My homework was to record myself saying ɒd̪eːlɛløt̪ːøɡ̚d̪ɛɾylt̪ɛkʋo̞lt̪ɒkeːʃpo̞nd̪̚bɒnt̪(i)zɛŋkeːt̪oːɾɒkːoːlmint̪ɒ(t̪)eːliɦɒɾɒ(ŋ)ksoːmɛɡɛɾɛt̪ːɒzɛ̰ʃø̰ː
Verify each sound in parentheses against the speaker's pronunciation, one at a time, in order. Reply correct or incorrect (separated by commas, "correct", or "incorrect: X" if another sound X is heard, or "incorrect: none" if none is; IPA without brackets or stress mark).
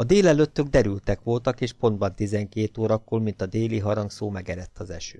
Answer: correct, incorrect: d̪, correct